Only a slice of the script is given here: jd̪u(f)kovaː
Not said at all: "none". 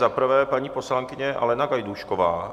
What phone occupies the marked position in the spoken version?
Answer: ʃ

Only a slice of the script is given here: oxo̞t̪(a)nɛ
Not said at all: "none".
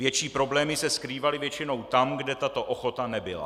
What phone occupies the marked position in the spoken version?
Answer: a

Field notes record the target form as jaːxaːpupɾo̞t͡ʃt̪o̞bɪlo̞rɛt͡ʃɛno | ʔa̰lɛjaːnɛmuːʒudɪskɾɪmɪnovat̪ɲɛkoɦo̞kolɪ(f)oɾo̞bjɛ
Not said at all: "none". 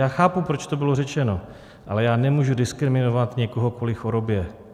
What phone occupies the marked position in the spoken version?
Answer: x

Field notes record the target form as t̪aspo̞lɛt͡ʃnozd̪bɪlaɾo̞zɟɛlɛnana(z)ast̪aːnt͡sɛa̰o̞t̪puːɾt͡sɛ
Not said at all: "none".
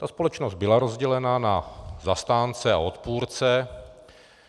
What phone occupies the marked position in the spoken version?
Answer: z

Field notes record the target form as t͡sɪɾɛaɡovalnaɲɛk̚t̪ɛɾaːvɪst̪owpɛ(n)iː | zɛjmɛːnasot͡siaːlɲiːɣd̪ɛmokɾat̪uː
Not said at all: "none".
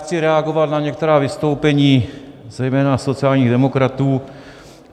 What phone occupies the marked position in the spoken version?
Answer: ɲ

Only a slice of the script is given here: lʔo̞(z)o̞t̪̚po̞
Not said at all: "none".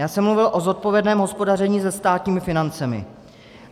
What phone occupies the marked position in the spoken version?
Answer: z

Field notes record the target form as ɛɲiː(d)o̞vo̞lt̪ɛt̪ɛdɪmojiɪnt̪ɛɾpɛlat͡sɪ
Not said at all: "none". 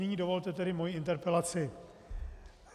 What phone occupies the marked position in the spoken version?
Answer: d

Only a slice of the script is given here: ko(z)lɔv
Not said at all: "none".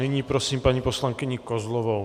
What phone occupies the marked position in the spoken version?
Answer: z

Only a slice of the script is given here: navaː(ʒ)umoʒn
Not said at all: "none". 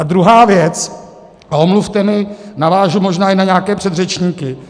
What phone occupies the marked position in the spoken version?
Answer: ʒ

